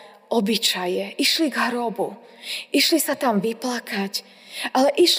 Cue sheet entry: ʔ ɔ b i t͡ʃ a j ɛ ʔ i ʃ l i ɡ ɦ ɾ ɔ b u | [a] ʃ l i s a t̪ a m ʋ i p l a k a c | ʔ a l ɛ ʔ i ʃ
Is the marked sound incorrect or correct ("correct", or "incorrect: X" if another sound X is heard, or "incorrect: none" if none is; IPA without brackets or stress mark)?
incorrect: i